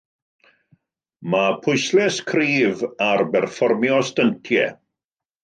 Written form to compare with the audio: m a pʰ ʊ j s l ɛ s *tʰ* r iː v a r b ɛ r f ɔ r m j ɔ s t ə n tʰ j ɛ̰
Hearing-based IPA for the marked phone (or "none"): kʰ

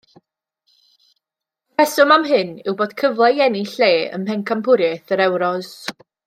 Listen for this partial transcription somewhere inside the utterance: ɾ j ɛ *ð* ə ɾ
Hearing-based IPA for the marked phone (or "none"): θ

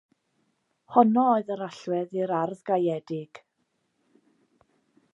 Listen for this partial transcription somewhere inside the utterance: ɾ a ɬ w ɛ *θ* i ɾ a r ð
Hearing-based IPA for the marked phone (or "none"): ð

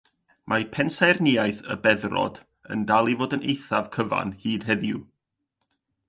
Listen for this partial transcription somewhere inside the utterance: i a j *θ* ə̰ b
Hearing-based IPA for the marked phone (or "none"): θ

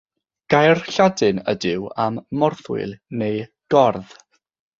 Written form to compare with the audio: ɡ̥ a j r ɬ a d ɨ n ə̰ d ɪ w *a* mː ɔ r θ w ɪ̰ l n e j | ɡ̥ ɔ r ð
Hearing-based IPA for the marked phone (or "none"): a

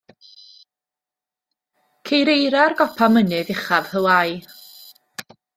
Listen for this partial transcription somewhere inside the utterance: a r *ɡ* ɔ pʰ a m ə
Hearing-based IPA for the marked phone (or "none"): ɡ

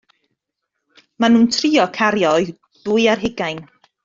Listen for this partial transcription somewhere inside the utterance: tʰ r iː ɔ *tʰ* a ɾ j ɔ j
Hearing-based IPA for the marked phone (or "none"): kʰ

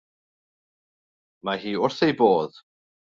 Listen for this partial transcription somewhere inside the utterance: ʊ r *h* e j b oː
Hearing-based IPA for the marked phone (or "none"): θ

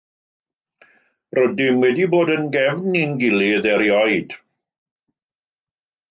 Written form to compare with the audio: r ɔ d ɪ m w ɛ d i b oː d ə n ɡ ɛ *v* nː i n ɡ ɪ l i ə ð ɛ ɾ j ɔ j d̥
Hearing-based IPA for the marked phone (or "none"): v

